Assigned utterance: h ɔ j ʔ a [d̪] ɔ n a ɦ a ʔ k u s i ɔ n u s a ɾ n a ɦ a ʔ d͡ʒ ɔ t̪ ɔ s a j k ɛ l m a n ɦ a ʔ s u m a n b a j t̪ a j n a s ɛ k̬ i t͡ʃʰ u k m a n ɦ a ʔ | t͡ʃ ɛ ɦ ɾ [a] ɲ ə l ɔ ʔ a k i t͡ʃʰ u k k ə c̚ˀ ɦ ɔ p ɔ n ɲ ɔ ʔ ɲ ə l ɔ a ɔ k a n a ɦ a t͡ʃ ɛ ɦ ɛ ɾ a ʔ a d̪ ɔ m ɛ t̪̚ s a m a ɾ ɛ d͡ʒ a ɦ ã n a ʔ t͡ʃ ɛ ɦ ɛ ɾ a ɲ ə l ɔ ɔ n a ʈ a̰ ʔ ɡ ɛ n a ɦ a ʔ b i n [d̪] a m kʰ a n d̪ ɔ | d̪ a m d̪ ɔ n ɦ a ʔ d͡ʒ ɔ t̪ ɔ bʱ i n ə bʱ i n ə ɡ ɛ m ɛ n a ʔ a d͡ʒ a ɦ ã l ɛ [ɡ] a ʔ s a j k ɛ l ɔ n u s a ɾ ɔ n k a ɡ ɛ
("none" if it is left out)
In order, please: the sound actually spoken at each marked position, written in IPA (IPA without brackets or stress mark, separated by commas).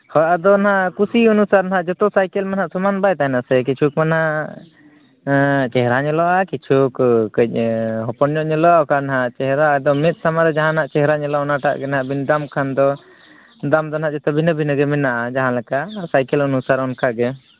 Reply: d̪, a, d̪, k